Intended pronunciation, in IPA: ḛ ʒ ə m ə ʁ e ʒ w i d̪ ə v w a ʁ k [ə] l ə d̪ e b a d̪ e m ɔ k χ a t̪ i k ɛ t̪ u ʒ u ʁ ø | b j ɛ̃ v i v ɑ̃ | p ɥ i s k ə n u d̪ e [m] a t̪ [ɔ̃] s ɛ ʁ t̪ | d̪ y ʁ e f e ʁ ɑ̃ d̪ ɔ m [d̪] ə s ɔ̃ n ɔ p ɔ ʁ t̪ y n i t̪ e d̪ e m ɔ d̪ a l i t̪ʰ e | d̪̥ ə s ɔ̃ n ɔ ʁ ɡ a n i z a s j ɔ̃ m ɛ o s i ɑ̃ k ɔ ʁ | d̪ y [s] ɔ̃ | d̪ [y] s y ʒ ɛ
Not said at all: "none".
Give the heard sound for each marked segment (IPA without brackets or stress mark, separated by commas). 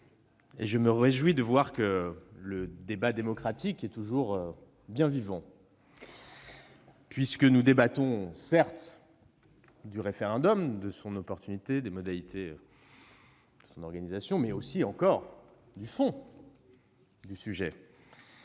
ə, b, ɔ̃, d̪, f, y